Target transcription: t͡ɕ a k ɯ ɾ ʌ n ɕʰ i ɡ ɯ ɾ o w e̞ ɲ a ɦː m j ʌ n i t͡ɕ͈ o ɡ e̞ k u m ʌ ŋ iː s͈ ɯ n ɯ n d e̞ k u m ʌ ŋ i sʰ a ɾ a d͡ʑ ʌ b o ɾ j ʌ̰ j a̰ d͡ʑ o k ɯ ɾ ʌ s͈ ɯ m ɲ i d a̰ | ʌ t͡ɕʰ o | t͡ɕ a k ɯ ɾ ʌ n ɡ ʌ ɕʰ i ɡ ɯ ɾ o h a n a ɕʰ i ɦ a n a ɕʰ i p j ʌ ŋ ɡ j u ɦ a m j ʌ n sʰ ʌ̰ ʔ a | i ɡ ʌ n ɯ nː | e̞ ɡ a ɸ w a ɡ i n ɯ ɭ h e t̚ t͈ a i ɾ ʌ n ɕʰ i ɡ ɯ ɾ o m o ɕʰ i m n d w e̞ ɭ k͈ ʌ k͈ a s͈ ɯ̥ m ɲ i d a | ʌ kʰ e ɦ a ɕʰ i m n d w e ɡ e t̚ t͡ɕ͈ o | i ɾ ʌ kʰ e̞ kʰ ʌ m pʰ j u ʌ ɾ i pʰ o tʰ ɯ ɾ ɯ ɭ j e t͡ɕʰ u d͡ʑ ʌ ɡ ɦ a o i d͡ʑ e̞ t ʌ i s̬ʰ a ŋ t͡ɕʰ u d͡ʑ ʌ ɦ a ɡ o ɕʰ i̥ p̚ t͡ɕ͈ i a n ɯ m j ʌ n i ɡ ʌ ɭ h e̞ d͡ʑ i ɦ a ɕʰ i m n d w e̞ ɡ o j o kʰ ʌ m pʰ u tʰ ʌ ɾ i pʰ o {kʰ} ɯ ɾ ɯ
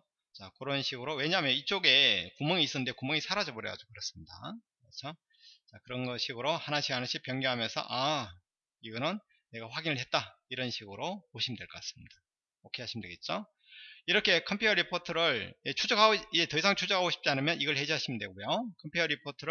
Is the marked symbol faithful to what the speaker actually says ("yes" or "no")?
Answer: no